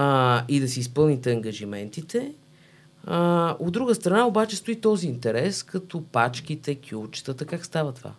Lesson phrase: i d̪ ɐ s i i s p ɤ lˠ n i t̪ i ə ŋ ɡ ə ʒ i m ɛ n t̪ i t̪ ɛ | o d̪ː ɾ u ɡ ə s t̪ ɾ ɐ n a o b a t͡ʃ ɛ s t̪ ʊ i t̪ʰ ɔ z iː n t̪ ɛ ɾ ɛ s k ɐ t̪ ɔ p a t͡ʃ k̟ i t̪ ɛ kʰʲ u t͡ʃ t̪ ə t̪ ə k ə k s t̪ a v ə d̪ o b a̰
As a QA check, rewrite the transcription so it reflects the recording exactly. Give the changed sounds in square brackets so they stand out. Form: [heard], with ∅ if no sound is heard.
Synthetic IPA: i d̪ ɐ s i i s p ɤ lˠ n i t̪ [ɛ] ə ŋ ɡ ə ʒ i m ɛ n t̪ i t̪ ɛ | o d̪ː ɾ u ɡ ə s t̪ ɾ ɐ n a o b a t͡ʃ ɛ s t̪ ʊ i [t̪] ɔ z iː n t̪ ɛ ɾ ɛ s k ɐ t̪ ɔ p a t͡ʃ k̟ i t̪ ɛ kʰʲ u t͡ʃ t̪ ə t̪ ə k [a] k s t̪ a v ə [t̪] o [v] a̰